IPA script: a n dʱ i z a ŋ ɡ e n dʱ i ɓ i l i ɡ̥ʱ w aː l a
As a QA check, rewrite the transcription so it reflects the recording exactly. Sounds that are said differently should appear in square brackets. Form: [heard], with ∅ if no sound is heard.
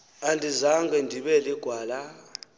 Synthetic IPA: a n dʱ i z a ŋ ɡ [ɛ] n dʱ i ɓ [ɛ] l i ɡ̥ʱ w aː l a